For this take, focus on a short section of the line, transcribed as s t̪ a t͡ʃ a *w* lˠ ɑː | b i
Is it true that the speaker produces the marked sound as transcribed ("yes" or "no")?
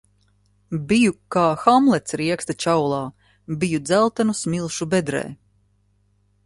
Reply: yes